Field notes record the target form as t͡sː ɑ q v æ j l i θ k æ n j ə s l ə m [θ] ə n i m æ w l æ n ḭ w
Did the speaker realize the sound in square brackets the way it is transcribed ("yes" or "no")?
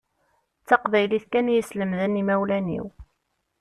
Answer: no